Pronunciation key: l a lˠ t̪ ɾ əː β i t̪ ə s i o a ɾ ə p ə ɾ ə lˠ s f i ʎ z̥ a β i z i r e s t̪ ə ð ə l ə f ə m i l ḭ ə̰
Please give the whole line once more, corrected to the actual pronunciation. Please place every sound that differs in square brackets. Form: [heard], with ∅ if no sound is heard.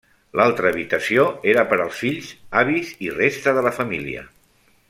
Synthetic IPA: l a lˠ t̪ ɾ əː β i t̪ ə s i o [e] ɾ ə p ə ɾ ə lˠ s f i ʎ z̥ a β i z i r e s t̪ ə ð ə l ə f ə m i l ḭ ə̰